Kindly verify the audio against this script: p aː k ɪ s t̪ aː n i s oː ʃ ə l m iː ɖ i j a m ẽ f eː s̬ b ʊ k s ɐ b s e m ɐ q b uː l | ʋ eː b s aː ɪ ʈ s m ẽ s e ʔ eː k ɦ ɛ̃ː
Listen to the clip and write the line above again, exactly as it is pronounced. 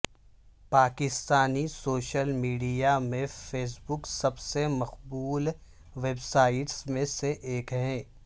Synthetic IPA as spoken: p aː k ɪ s t̪ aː n i s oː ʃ ə l m iː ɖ i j a m ẽ f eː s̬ b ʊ k s ɐ b s e m ɐ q b uː l | ʋ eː b s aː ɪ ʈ s m ẽ s e ʔ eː k ɦ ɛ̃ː

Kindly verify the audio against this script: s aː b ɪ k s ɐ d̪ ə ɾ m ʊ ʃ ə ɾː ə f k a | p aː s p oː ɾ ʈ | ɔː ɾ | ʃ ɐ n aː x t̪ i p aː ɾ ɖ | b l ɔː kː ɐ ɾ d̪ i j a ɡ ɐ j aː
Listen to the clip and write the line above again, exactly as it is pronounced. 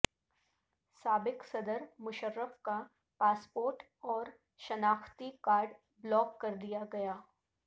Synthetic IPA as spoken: s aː b ɪ k s ɐ d̪ ə ɾ m ʊ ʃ ə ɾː ə f k a | p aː s p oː ɾ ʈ | ɔː ɾ | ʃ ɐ n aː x t̪ i k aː ɾ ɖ | b l ɔː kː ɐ ɾ d̪ i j a ɡ ɐ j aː

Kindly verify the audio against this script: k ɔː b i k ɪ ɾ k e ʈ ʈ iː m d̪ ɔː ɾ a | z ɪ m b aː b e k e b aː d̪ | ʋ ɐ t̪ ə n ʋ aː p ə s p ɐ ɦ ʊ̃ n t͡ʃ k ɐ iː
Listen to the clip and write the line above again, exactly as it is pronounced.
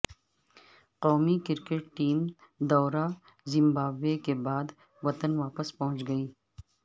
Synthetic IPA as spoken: q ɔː m i k ɪ ɾ k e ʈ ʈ iː m d̪ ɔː ɾ a | z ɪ m b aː b e k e b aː d̪ | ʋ ɐ t̪ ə n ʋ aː p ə s p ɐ ɦ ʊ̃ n t͡ʃ ɡ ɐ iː

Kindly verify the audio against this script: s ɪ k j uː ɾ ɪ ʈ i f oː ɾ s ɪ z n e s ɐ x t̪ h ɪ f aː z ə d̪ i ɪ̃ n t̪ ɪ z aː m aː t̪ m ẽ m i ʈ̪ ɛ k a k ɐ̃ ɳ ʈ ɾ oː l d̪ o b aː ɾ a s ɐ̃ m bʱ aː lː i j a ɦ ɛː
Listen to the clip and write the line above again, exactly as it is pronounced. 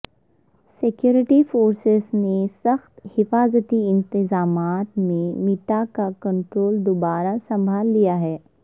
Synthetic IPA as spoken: s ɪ k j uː ɾ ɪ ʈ i f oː ɾ s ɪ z n e s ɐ x t̪ h ɪ f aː z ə t̪ i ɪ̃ n t̪ ɪ z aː m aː t̪ m ẽ m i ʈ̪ a k a k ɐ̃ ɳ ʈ ɾ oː l d̪ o b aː ɾ a s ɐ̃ m bʱ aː lː i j a ɦ ɛː

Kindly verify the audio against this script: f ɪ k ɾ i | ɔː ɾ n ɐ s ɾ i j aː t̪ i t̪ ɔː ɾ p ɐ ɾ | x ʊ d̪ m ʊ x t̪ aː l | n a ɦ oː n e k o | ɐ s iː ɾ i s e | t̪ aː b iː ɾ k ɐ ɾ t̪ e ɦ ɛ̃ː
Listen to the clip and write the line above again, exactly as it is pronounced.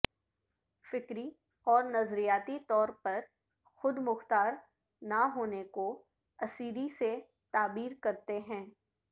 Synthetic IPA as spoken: f ɪ k ɾ i | ɔː ɾ n ɐ z ɾ i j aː t̪ i t̪ ɔː ɾ p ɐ ɾ | x ʊ d̪ m ʊ x t̪ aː ɾ | n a ɦ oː n e k o | ɐ s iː ɾ i s e | t̪ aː b iː ɾ k ɐ ɾ t̪ e ɦ ɛ̃ː

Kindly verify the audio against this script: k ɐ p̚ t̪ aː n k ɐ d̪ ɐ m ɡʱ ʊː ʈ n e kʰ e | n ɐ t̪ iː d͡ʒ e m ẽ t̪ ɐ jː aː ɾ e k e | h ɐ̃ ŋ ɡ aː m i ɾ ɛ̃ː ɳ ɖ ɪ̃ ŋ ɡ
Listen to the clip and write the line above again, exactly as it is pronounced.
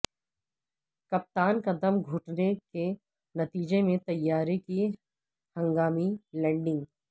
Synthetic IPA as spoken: k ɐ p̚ t̪ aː n k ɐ d̪ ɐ m ɡʱ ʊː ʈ n e k e | n ɐ t̪ iː d͡ʒ e m ẽ t̪ ɐ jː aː ɾ e k i | h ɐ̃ ŋ ɡ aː m i l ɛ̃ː ɳ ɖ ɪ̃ ŋ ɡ

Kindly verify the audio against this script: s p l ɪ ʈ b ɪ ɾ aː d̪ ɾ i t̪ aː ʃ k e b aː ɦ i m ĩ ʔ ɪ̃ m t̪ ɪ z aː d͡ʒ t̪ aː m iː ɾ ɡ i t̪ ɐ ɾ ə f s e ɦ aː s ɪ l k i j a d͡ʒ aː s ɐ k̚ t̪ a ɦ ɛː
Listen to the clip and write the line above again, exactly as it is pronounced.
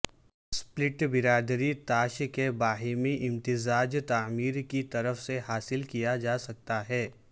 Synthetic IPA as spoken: s p l ɪ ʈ b ɪ ɾ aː d̪ ɾ i t̪ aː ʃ k e b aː ɦ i m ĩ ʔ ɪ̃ m t̪ ɪ z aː d͡ʒ t̪ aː m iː ɾ k i t̪ ɐ ɾ ə f s e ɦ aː s ɪ l k i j a d͡ʒ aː s ɐ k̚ t̪ a ɦ ɛː

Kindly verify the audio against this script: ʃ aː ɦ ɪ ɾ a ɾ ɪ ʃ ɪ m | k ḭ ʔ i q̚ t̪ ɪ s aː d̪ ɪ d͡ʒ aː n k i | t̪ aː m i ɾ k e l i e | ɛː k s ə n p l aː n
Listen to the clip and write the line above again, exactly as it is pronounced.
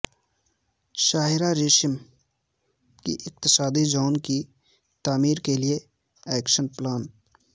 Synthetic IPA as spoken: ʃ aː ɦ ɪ ɾ a ɾ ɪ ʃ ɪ m | k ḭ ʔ ɪ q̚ t̪ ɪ s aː d̪ i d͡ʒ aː n k i | t̪ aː m iː ɾ k e l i e | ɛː k ʃ ə n p l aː n

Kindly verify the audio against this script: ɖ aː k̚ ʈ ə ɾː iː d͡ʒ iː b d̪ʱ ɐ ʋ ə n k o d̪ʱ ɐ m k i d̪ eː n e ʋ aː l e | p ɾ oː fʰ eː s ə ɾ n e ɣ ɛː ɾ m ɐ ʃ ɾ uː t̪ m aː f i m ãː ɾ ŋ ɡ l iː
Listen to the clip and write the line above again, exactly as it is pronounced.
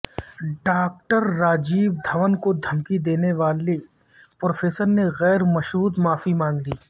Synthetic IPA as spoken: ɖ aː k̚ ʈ ə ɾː aː d͡ʒ iː b d̪ʱ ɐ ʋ ə n k o d̪ʱ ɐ m k i d̪ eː n e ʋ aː l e | p ɾ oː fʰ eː s ə ɾ n e ɣ ɛː ɾ m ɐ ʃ ɾ uː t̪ m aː f i m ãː ŋ ɡ l iː

